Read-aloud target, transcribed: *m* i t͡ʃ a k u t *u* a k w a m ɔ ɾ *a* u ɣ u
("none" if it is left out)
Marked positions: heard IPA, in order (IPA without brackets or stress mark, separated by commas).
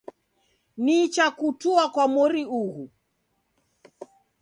n, u, i